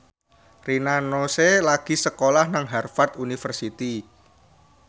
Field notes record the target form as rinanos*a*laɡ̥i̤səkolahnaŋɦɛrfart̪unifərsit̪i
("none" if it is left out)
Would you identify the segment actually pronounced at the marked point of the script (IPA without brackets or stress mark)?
e